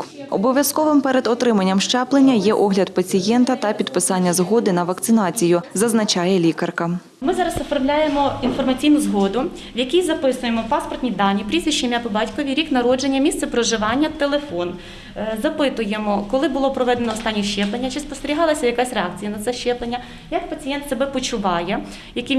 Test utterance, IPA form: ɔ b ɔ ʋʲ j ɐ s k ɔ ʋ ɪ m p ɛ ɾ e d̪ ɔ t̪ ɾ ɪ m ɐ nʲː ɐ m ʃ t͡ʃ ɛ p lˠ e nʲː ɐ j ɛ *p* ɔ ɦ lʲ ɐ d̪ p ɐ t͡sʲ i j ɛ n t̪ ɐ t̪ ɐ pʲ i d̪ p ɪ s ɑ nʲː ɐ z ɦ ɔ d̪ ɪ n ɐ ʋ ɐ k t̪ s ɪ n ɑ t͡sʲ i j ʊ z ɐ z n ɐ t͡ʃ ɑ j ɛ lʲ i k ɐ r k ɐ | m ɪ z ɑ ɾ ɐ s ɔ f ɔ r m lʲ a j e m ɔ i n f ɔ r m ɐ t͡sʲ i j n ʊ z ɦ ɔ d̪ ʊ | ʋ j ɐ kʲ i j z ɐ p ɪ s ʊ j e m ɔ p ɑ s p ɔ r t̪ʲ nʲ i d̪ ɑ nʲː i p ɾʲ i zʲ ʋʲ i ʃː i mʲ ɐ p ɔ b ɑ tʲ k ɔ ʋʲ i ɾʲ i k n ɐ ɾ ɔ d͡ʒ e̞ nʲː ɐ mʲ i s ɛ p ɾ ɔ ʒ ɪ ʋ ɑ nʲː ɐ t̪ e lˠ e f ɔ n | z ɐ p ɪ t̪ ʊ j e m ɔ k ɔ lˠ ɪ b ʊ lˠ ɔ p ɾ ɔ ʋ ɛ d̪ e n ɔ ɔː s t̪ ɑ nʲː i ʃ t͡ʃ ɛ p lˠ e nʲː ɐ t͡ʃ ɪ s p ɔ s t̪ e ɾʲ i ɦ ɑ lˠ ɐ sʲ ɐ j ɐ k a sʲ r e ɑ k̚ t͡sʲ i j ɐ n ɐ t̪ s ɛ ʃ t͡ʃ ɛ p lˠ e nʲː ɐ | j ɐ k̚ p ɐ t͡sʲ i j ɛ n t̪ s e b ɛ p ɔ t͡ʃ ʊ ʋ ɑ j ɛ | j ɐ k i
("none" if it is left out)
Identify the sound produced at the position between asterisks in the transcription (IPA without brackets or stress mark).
ʔ